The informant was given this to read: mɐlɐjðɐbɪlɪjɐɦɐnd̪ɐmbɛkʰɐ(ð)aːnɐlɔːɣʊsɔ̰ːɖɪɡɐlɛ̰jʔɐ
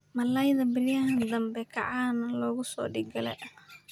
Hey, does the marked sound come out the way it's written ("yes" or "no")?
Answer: no